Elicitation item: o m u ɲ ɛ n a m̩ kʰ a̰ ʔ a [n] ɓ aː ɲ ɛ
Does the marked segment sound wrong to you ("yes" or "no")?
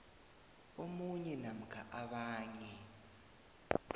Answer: yes